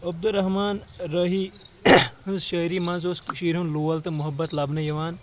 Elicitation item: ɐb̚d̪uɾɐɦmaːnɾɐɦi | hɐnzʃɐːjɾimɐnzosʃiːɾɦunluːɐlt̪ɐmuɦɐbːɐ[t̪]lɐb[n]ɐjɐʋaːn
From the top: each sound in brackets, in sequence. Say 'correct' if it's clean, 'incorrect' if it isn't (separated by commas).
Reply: correct, correct